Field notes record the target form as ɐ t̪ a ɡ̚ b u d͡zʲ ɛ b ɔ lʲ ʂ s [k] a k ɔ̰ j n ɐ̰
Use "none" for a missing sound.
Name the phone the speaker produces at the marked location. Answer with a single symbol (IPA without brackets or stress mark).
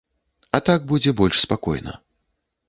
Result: p